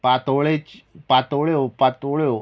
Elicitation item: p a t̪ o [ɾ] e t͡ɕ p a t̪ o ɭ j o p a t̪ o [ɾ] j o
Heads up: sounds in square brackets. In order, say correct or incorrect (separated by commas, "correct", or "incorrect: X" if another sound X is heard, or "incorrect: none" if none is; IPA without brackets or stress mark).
incorrect: ɭ, incorrect: ɭ